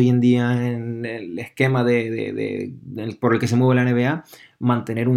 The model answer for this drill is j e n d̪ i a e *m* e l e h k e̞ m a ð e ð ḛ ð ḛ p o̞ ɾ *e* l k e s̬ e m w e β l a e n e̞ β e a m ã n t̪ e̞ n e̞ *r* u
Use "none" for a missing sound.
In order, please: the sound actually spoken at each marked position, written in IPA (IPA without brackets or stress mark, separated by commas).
n, e, ɾ